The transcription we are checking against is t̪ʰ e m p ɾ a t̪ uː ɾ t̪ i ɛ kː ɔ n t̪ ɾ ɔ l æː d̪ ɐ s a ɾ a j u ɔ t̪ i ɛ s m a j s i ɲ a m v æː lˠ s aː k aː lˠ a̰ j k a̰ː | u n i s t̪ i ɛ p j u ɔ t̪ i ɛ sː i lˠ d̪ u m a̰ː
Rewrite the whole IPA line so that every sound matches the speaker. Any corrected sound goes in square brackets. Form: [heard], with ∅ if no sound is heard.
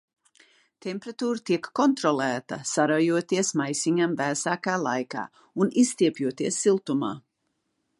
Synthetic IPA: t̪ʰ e m p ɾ a t̪ uː ɾ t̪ i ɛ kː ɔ n t̪ ɾ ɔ l æː [t̪] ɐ s a ɾ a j u ɔ t̪ i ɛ s m a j s i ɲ a m v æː [∅] s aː k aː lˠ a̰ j k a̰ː | u n i s t̪ i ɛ p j u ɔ t̪ i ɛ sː i lˠ [t̪] u m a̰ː